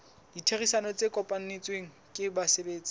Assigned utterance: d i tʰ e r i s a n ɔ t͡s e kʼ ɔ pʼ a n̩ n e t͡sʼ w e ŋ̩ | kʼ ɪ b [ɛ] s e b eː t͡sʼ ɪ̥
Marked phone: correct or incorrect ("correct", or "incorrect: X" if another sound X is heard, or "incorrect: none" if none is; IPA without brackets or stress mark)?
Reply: incorrect: a